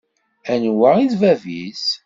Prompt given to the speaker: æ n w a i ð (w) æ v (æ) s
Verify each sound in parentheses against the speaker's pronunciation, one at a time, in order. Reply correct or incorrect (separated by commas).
incorrect, incorrect